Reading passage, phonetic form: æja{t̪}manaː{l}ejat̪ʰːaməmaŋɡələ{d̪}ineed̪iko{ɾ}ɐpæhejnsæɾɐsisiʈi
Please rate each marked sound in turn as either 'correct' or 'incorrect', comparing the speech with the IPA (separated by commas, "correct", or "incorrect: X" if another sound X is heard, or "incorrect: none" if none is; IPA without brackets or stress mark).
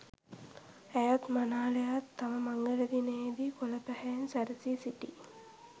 correct, correct, correct, incorrect: l